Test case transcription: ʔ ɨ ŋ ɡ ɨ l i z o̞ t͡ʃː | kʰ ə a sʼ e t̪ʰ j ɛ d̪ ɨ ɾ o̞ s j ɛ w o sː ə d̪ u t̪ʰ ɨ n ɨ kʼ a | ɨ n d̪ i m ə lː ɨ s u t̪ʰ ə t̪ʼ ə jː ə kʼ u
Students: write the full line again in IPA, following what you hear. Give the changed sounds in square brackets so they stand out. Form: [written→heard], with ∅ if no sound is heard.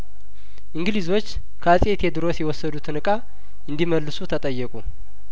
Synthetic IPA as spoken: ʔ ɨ ŋ ɡ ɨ l i z o̞ t͡ʃː | kʰ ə a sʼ e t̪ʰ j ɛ d̪ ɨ ɾ o̞ s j ɛ w [o→ɔ] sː ə d̪ u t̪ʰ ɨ n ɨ kʼ a | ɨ n d̪ i m ə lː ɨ s u t̪ʰ ə t̪ʼ ə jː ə kʼ u